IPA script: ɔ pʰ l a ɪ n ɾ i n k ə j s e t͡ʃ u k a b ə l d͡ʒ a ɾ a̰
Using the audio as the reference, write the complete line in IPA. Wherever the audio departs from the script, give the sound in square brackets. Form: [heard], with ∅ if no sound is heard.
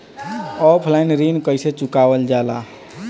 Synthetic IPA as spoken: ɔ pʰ l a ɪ n ɾ i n k ə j s e t͡ʃ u k a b ə l d͡ʒ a [l] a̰